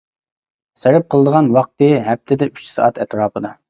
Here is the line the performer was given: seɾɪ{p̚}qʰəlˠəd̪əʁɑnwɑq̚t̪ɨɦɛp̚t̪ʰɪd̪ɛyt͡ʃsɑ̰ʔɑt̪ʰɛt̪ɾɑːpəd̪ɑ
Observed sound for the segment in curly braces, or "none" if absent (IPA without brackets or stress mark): p̚